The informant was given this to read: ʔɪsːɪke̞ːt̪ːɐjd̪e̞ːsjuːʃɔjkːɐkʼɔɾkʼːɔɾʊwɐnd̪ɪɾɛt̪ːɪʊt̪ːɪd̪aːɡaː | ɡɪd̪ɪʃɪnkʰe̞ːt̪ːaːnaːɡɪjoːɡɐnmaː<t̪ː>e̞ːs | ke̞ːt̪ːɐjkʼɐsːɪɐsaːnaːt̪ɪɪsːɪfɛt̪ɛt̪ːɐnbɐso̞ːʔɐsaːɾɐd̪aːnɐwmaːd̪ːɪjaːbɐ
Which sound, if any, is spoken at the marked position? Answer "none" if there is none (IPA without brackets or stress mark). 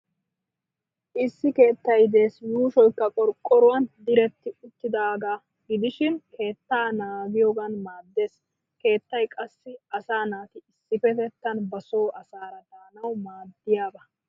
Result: d̪ː